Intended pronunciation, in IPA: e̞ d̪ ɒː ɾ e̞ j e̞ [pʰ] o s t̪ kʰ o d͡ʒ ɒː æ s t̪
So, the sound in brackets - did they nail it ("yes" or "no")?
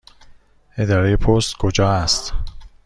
yes